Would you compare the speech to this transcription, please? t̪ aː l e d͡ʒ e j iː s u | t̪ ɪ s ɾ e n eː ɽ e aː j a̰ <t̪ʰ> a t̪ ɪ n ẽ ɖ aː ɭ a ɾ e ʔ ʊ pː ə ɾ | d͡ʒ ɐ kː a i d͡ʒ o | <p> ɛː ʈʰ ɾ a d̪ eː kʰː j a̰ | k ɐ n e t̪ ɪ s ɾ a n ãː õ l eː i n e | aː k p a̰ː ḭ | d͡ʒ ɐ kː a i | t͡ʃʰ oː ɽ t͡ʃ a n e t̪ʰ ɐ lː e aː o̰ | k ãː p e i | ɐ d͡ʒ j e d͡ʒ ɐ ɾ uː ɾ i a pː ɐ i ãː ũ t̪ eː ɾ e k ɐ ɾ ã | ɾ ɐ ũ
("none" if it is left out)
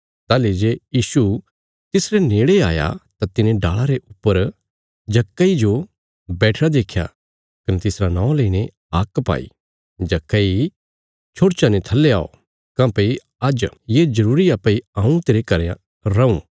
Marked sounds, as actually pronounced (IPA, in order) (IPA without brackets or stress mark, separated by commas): t̪, b